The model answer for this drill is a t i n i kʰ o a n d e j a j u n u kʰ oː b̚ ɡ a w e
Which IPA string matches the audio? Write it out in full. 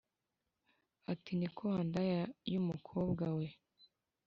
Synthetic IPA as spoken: a t i n i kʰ o a n d a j a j u m u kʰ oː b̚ ɡ a w e